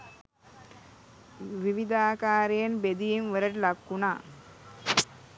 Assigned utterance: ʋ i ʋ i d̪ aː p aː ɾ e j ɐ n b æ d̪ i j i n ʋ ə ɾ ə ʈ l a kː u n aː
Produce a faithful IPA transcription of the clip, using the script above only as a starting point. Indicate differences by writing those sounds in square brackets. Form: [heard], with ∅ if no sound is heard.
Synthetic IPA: ʋ i ʋ i d̪ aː [k] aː ɾ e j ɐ n b [e] d̪ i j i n ʋ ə ɾ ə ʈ l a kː u n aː